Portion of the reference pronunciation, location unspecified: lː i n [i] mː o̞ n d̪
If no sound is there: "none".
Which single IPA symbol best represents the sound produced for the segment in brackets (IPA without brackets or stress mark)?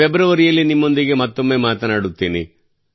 i